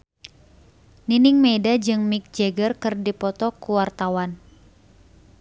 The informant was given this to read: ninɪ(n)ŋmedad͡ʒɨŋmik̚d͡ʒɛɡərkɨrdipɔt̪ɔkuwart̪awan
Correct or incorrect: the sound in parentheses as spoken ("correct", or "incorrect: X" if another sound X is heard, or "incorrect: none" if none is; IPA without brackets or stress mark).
incorrect: none